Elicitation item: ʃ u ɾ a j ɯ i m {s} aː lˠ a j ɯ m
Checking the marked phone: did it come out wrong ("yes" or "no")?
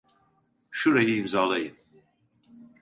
yes